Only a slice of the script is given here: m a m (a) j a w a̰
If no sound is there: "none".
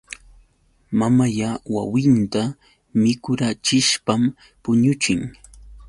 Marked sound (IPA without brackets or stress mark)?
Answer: a